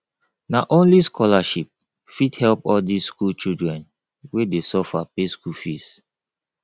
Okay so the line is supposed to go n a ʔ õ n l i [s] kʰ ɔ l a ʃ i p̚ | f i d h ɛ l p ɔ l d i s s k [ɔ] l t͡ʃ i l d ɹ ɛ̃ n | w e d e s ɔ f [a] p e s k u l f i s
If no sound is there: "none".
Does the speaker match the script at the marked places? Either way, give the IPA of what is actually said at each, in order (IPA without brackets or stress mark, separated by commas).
s, u, a